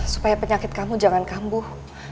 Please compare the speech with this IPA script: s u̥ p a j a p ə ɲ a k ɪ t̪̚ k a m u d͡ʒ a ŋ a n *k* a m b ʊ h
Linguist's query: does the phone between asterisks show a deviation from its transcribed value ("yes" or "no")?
no